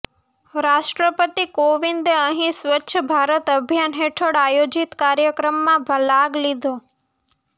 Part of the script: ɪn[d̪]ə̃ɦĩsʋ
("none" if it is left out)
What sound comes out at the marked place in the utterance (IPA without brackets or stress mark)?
d̪